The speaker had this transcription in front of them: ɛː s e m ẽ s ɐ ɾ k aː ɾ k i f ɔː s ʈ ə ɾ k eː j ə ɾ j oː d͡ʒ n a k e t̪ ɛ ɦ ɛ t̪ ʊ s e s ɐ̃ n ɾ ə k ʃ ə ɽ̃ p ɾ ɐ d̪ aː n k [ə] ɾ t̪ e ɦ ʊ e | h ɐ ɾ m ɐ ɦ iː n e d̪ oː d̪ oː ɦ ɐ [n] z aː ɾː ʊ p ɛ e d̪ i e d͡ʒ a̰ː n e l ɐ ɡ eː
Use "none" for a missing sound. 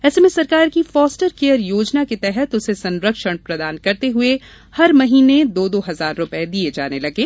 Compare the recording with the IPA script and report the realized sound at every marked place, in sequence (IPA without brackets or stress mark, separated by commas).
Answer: ɐ, none